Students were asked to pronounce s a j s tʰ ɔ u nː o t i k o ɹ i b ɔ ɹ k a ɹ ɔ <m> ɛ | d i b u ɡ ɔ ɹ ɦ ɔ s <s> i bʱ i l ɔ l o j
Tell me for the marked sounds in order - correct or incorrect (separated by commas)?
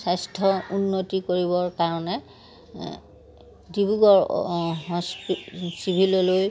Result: incorrect, correct